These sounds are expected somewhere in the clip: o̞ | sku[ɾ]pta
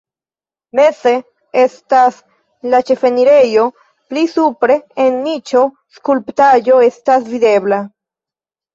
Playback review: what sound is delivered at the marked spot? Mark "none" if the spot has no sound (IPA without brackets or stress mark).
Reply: l